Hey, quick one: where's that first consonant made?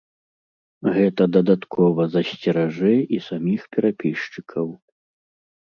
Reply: velum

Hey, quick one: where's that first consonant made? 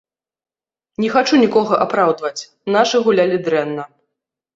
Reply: tongue tip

